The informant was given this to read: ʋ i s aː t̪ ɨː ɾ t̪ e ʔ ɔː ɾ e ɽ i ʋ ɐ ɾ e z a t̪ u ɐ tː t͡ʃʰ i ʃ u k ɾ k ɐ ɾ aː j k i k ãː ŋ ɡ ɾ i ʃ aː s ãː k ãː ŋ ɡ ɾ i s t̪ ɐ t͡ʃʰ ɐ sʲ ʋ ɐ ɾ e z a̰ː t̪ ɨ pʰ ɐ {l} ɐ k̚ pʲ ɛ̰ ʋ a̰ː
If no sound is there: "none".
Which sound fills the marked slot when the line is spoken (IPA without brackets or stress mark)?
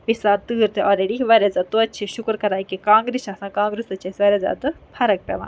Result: ɾ